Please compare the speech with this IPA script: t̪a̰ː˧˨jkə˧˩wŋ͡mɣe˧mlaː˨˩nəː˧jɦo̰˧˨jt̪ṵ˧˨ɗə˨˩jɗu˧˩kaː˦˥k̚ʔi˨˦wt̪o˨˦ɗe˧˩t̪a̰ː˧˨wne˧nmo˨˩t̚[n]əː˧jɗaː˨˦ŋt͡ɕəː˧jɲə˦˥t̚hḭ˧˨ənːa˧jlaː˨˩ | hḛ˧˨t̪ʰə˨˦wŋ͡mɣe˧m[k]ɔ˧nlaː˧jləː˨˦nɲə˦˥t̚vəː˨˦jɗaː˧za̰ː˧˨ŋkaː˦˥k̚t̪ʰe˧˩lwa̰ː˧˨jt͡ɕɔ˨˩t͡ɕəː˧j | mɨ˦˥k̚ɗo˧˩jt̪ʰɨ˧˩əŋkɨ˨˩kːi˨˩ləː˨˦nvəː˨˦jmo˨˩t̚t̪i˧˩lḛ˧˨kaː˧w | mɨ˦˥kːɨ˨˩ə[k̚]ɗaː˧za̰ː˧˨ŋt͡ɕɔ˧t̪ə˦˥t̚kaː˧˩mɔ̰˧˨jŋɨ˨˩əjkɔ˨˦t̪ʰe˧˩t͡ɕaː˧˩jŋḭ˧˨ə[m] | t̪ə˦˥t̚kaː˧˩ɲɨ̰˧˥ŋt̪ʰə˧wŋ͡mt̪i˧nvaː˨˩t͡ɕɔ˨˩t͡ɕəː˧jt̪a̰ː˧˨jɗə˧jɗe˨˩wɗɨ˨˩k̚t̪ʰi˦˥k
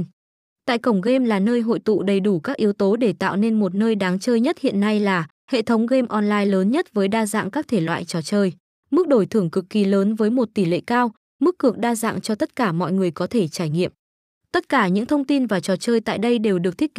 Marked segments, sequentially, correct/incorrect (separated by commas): correct, incorrect, correct, correct